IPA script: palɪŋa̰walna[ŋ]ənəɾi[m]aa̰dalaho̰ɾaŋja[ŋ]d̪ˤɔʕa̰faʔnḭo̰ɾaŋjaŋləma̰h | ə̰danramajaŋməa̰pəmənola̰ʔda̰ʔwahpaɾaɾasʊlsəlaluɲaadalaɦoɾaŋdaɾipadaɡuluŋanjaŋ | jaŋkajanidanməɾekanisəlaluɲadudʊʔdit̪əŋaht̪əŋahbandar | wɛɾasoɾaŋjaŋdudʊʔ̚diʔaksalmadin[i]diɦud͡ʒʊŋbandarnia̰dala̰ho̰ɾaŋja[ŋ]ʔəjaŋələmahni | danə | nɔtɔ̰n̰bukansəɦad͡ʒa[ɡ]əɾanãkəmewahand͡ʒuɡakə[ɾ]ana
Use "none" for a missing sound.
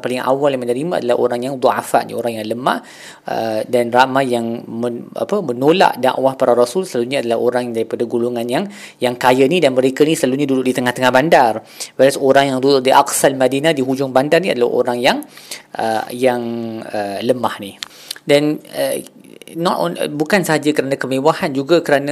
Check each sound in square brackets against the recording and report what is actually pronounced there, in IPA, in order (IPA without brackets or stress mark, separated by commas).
m, m, ŋ, a, ŋ, k, ɾ